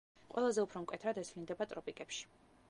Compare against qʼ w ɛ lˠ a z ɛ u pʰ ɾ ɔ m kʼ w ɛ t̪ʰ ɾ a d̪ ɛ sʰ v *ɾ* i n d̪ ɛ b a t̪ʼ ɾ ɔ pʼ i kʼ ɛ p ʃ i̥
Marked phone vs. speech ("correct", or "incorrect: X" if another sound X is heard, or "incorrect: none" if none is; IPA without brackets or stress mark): incorrect: l